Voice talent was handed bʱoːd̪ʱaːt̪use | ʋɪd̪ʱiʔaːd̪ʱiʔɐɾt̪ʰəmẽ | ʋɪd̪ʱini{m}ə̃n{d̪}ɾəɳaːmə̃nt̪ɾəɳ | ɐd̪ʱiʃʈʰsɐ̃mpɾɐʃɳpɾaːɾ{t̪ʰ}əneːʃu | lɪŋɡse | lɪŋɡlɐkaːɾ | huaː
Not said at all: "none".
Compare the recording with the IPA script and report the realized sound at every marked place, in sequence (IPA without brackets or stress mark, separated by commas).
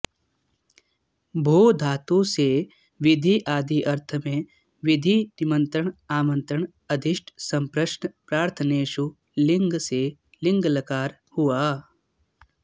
m, t̪, t̪ʰ